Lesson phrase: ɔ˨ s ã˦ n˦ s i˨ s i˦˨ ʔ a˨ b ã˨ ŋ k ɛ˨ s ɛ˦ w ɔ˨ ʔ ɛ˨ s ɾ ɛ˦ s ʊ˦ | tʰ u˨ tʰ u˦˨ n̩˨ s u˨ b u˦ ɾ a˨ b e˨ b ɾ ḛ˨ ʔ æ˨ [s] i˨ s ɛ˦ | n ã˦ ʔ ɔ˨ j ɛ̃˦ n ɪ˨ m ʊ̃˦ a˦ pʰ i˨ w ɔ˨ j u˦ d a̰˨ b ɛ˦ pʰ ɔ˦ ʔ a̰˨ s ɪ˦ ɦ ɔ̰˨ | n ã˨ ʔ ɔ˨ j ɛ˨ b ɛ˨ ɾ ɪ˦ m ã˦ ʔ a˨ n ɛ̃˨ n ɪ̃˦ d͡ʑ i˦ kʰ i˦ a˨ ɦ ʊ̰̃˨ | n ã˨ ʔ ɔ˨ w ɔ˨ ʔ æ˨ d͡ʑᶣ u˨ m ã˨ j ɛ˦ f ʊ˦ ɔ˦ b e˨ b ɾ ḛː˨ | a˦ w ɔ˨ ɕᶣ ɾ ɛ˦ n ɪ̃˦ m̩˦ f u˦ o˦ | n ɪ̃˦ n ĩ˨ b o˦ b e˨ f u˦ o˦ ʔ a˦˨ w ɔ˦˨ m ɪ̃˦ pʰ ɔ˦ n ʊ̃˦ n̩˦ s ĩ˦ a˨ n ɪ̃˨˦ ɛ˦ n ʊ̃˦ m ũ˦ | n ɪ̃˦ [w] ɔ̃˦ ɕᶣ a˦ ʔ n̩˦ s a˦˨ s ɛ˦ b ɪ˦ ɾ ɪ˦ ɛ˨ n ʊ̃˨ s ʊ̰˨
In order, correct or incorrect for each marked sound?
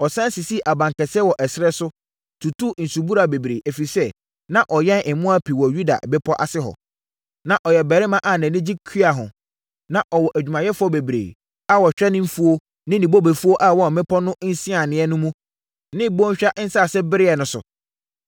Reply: incorrect: f, incorrect: b

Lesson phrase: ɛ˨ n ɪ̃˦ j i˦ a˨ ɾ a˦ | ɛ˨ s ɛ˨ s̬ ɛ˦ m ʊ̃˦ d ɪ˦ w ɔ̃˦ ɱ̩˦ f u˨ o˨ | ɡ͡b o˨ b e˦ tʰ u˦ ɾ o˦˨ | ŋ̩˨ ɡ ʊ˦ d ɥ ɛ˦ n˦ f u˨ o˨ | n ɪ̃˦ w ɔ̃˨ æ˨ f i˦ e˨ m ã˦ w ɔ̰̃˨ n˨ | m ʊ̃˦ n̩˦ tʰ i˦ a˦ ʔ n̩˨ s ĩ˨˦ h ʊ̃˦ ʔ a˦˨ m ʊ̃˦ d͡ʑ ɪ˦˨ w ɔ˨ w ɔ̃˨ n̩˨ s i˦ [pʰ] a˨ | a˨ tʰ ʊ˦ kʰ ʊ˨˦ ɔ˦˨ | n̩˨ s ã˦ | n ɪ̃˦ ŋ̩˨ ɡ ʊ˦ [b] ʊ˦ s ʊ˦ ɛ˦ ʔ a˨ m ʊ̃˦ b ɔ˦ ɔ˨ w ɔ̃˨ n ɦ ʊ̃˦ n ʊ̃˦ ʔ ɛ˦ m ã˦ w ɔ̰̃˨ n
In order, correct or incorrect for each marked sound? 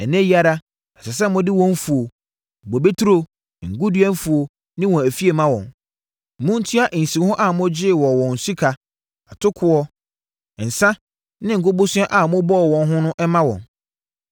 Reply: incorrect: kʰ, correct

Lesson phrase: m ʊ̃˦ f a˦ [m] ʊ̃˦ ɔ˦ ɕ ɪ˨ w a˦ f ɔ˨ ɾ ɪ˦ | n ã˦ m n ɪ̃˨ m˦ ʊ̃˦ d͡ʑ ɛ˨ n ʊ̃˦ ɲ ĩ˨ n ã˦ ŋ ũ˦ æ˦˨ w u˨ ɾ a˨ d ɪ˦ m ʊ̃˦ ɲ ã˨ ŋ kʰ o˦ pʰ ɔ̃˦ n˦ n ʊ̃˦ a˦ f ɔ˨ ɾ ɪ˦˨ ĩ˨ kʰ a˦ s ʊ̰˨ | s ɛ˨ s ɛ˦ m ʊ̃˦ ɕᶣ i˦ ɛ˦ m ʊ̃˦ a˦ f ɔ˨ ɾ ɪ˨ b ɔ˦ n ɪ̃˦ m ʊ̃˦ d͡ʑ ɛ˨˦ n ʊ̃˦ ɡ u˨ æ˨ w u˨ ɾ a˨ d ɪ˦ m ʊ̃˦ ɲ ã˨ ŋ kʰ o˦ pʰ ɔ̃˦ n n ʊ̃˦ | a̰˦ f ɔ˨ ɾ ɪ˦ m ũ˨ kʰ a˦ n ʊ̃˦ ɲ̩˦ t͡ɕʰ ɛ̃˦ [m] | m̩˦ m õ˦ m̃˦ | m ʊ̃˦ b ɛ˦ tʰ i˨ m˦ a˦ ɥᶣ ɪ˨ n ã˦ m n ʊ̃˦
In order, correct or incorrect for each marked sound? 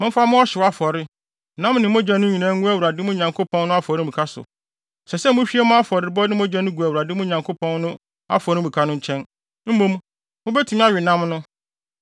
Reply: correct, incorrect: n

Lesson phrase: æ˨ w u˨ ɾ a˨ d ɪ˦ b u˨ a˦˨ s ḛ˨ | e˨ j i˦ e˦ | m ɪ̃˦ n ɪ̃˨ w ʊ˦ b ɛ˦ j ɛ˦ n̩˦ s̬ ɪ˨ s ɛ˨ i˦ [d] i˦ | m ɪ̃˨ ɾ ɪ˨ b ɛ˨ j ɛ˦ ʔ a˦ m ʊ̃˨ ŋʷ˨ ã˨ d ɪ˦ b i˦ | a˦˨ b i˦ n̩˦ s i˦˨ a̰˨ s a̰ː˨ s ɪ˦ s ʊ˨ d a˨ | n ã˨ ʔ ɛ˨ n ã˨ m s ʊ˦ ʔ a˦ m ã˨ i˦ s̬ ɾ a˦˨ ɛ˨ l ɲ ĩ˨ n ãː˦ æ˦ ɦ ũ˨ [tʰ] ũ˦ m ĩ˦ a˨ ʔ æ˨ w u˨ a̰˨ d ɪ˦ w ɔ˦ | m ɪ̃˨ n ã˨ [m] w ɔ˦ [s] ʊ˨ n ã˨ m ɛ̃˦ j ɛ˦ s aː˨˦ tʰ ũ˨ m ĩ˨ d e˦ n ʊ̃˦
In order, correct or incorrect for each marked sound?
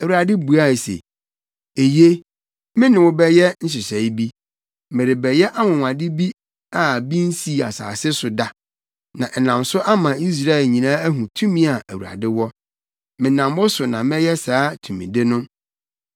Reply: incorrect: b, correct, correct, correct

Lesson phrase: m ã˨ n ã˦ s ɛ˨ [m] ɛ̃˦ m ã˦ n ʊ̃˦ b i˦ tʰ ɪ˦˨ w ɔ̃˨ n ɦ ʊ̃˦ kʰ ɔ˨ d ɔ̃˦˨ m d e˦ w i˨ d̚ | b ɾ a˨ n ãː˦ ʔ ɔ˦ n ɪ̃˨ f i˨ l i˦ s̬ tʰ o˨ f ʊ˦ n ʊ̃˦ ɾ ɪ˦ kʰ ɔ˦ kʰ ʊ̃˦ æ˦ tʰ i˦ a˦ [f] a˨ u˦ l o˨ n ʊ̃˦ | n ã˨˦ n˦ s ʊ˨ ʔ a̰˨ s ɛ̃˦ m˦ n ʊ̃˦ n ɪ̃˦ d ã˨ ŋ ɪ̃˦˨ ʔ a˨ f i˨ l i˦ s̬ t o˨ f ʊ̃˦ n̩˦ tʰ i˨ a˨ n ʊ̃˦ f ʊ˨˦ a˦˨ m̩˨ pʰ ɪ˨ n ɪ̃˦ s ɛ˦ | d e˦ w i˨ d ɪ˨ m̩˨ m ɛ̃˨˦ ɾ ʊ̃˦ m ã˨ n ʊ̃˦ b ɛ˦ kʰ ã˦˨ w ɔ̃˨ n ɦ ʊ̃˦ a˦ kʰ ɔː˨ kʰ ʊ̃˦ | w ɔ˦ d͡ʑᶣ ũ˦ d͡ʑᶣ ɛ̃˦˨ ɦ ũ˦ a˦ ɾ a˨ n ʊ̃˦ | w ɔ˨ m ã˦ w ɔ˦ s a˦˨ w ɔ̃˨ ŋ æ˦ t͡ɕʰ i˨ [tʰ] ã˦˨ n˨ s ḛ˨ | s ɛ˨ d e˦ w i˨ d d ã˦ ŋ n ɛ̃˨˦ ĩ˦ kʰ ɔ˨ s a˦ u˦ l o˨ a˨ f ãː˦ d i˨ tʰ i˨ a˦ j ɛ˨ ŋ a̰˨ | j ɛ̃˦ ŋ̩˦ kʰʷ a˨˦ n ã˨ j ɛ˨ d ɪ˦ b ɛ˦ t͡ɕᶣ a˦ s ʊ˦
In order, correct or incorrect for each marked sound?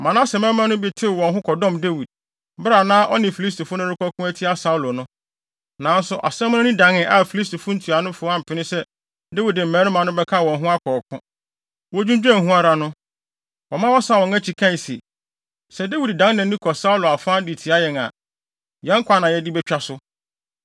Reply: correct, incorrect: s, incorrect: kʰ

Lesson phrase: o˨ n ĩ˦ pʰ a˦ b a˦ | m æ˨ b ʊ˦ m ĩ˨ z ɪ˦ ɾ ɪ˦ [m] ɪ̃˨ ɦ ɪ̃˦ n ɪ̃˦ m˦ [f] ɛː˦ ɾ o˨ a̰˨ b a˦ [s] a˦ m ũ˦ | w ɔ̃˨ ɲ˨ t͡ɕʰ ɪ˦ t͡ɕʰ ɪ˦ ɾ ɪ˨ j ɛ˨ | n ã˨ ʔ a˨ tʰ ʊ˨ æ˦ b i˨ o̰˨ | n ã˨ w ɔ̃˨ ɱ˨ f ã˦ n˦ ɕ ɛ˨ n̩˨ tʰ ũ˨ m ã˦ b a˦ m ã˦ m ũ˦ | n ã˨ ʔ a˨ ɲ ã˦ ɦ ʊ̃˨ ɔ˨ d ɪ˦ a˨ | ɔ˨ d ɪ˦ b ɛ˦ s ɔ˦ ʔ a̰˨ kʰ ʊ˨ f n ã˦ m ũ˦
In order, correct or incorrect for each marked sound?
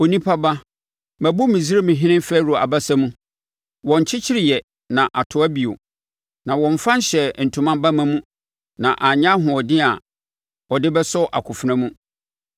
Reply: correct, correct, correct

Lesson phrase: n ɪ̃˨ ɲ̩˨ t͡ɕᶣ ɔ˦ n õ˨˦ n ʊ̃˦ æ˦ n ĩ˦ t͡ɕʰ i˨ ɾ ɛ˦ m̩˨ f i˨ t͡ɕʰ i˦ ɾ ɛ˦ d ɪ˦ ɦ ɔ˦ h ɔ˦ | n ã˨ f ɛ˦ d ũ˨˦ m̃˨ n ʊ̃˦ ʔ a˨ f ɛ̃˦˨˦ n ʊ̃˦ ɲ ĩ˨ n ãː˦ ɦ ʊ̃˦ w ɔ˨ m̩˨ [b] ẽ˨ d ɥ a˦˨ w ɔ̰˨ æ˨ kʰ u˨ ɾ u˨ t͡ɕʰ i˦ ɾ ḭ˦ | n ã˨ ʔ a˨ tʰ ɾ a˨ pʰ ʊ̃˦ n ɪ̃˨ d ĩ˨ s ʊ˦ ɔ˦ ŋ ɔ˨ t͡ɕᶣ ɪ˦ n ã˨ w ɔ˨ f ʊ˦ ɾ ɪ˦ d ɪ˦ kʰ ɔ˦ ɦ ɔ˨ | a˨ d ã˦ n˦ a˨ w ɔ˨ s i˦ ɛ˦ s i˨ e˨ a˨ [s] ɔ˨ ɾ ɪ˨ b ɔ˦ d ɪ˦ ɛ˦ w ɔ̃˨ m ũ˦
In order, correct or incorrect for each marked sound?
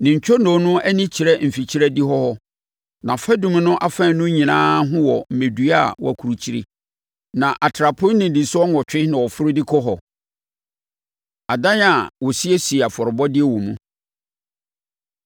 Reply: incorrect: m, incorrect: f

